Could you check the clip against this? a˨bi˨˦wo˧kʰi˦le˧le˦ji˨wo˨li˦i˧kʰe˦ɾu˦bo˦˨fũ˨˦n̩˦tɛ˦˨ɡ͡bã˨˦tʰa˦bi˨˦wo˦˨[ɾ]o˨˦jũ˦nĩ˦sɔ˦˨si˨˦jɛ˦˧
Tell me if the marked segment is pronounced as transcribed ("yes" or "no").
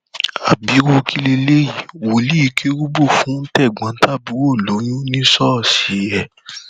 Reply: no